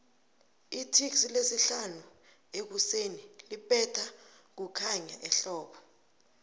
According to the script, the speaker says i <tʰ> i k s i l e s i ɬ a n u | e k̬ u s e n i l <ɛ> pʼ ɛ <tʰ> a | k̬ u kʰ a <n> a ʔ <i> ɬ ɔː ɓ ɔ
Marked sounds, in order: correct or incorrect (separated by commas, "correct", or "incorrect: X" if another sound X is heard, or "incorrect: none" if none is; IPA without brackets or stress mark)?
correct, incorrect: i, correct, incorrect: ɲ, incorrect: ɛ